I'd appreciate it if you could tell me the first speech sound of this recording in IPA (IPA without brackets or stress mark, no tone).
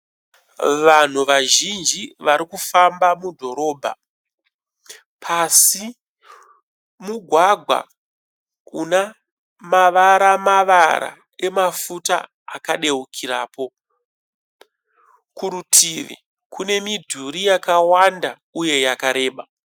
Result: ʋ